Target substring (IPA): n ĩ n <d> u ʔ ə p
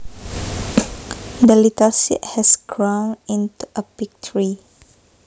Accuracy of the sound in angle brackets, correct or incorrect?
incorrect: t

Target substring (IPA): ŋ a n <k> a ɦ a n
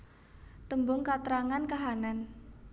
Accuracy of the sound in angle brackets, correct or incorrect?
correct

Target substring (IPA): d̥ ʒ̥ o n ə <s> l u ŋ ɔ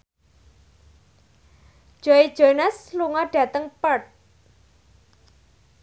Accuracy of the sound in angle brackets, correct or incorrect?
correct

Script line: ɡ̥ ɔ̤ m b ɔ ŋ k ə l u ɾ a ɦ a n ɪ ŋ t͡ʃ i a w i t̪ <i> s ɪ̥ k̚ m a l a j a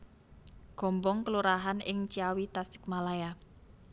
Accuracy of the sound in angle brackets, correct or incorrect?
incorrect: a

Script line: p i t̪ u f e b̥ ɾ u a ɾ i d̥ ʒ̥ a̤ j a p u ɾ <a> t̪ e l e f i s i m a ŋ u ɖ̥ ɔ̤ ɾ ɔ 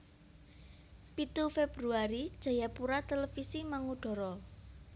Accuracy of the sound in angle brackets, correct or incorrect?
correct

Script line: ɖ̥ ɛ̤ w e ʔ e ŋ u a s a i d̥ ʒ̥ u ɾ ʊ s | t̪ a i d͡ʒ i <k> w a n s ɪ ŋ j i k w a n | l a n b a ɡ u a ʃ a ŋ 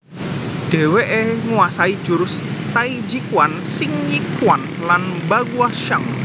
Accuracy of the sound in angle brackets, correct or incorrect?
correct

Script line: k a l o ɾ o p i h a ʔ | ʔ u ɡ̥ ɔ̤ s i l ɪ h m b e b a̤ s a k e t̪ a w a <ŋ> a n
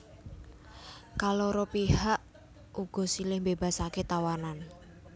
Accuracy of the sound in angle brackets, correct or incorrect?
incorrect: n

